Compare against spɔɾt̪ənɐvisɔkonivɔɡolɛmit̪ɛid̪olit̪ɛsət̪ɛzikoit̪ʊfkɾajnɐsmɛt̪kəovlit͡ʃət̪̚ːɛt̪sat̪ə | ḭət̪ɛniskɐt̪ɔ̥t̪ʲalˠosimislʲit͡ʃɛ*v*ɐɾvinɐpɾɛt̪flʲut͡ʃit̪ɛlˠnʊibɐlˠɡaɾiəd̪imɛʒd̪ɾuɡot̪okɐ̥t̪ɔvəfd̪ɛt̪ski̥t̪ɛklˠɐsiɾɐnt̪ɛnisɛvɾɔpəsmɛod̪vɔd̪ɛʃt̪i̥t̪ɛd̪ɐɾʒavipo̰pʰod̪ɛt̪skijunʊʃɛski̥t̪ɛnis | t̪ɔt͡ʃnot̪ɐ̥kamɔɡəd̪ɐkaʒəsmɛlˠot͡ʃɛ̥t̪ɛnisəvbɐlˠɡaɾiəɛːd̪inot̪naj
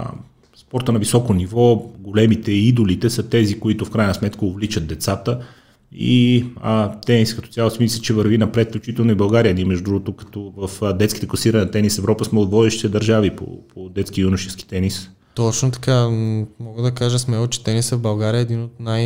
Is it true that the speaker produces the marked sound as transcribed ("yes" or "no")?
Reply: yes